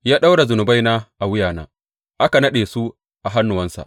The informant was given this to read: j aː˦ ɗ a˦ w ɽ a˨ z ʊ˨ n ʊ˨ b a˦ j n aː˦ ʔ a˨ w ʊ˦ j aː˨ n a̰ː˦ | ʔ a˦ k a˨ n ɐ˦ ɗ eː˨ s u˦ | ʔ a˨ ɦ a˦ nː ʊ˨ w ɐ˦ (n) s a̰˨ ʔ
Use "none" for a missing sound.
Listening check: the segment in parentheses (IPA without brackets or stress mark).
n